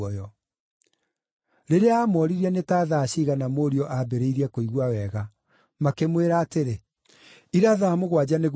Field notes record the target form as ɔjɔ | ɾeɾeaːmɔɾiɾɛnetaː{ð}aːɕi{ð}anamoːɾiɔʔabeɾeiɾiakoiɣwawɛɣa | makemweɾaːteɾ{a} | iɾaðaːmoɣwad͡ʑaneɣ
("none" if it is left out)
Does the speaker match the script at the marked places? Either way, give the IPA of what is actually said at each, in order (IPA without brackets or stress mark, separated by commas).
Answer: ð, ɣ, e